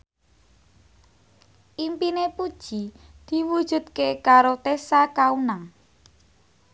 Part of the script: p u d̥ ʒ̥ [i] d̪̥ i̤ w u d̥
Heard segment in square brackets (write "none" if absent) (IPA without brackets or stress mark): i